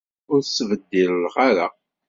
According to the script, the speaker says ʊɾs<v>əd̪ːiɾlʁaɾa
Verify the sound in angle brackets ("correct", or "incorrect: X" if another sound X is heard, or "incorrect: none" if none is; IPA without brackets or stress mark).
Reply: correct